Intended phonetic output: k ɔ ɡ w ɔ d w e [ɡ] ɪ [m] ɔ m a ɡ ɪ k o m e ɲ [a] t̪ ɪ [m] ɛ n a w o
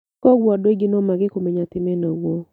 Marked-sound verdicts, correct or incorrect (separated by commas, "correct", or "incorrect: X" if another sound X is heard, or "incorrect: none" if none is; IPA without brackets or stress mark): correct, incorrect: n, correct, correct